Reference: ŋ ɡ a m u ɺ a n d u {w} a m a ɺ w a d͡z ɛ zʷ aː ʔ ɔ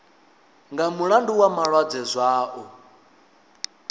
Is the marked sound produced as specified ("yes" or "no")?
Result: yes